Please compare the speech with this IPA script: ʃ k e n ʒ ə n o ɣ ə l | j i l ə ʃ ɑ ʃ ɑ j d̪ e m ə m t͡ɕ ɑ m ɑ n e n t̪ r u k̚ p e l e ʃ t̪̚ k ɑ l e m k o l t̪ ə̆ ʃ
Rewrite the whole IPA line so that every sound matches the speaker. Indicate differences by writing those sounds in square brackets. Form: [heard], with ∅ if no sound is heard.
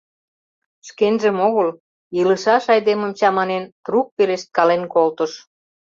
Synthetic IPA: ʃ k e n ʒ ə [m] o ɣ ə l | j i l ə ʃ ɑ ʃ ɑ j d̪ e m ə m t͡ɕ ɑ m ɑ n e n t̪ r u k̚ p e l e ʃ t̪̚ k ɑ l e [n] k o l t̪ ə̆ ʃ